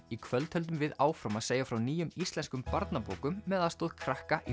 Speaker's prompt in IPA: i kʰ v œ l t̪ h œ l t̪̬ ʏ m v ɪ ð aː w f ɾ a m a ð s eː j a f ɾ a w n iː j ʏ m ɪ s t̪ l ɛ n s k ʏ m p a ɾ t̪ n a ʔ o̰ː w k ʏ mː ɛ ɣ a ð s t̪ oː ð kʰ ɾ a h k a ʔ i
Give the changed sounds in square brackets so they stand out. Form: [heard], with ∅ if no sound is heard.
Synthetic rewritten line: i kʰ v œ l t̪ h œ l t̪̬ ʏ m v ɪ ð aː w f ɾ a m a ð s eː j a f ɾ a w n iː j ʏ m [i] s t̪ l ɛ n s k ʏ m p a ɾ t̪ n a [p] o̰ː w k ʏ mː ɛ [ð] a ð s t̪ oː ð kʰ ɾ a h k a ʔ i